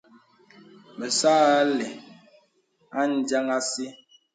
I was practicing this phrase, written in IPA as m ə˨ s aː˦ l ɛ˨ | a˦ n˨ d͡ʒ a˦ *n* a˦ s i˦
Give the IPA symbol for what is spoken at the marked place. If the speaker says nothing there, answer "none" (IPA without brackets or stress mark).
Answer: ŋ